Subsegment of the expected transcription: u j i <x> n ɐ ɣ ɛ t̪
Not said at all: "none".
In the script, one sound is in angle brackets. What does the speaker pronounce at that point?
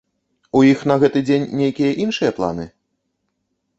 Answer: x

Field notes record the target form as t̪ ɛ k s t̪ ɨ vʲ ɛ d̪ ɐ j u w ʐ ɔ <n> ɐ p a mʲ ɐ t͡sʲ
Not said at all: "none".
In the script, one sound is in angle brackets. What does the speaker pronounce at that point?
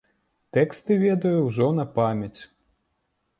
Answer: n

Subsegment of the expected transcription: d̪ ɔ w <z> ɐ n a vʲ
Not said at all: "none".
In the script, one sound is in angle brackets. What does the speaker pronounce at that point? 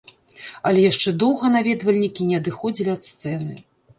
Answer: ɣ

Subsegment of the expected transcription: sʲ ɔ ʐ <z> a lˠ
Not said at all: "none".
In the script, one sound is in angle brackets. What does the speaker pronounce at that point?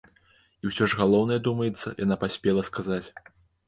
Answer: ɣ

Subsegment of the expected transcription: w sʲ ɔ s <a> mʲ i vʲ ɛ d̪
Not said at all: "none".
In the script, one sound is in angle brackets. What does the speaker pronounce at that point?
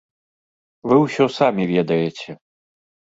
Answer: a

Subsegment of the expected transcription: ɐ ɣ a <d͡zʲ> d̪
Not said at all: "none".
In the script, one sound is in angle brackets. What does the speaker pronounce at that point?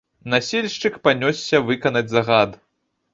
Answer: none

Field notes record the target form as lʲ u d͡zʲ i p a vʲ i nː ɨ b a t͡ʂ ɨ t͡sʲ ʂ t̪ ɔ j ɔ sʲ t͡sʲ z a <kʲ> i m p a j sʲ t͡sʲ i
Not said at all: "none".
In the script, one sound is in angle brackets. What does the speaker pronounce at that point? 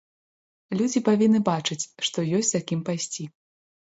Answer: kʲ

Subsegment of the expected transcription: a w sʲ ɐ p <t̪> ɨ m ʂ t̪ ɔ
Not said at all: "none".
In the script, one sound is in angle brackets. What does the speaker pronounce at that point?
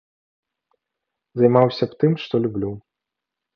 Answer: t̪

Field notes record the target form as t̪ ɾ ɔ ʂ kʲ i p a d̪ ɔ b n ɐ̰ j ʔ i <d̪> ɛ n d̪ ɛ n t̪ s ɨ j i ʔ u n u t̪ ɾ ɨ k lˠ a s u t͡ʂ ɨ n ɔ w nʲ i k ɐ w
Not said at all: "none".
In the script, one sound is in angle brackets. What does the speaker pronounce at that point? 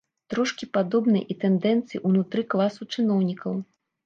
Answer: t̪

